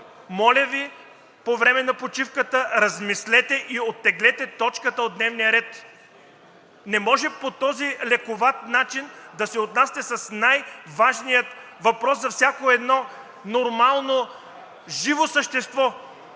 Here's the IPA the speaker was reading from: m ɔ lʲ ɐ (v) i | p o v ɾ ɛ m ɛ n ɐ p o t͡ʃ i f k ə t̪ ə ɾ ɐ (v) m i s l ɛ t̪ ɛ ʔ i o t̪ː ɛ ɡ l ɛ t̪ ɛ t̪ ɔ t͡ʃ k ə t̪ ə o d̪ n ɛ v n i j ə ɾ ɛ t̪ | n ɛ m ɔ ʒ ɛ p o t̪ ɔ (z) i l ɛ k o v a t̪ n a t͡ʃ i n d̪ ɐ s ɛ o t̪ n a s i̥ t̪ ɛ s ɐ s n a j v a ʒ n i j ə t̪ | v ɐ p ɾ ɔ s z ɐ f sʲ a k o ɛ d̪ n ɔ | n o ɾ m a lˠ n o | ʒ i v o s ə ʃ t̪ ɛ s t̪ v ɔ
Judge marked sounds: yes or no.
yes, no, yes

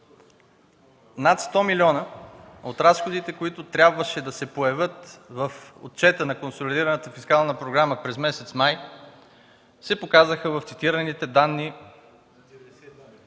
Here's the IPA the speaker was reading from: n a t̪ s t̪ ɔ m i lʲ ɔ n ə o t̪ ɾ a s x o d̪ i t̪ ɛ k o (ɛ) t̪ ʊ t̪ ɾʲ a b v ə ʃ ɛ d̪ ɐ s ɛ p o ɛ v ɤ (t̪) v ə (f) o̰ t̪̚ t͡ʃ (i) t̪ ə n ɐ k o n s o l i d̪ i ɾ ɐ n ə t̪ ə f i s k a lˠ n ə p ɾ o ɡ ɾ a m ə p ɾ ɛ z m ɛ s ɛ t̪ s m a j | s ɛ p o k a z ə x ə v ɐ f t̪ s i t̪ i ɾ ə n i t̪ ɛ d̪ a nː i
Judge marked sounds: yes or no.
no, yes, yes, no

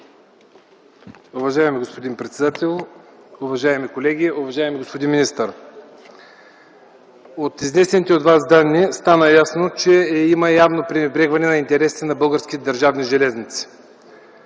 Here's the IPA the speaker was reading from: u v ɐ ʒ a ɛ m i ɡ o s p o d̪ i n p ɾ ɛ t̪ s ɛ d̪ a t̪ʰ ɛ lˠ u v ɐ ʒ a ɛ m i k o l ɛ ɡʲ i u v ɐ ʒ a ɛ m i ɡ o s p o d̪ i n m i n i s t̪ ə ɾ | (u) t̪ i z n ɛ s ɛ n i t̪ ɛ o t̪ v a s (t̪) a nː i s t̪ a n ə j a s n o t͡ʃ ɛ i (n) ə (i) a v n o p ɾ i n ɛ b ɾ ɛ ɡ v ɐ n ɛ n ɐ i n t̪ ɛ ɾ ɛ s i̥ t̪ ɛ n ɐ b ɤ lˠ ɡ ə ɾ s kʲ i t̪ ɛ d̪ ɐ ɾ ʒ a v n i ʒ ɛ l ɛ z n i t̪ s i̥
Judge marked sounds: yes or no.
no, no, no, no

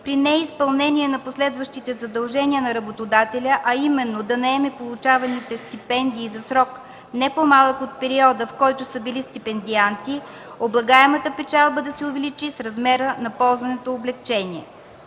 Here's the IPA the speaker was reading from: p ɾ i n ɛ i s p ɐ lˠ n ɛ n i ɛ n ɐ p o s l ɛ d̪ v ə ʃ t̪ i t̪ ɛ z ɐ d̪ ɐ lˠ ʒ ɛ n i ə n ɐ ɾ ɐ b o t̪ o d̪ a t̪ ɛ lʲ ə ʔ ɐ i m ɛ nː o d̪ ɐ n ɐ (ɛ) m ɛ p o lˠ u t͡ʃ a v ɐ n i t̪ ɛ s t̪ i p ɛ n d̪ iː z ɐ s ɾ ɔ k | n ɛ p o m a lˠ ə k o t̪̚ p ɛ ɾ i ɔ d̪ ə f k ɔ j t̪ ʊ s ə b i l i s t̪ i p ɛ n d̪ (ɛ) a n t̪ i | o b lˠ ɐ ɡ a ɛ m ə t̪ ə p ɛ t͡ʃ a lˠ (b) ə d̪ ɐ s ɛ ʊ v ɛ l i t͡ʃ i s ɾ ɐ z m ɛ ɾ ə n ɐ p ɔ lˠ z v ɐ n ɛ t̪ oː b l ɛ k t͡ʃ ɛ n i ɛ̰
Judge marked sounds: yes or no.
yes, no, yes

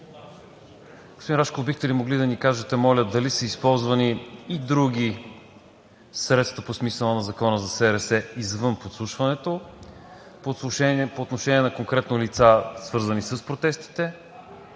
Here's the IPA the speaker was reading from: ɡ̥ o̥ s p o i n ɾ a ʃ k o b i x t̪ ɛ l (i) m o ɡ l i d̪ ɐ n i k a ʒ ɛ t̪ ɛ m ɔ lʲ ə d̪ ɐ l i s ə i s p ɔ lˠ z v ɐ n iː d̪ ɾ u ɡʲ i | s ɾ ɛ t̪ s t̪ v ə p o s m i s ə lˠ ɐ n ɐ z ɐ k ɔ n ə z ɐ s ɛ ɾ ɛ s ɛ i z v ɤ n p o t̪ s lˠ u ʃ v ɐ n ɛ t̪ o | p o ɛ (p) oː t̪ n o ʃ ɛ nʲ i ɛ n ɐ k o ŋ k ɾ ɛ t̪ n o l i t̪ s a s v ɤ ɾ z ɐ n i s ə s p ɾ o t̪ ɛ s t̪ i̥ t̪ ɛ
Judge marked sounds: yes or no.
yes, yes

